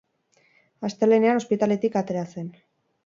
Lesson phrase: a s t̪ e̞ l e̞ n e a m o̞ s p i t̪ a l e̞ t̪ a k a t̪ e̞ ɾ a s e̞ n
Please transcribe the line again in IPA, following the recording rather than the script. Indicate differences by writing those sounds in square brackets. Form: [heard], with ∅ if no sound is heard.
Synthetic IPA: a s t̪ e̞ l e̞ n e a [n] o̞ s p i t̪ a l e̞ t̪ [i] k a t̪ e̞ ɾ a s e̞ n